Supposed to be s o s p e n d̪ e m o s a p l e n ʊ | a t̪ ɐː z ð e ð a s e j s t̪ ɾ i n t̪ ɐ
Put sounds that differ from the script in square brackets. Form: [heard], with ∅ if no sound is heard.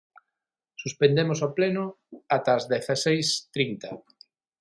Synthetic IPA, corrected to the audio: s [u] s p e n d̪ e m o s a p l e n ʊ | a t̪ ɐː z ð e [θ] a s e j s t̪ ɾ i n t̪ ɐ